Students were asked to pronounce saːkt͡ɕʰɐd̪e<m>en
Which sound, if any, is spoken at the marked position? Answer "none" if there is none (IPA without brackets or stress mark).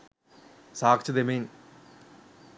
m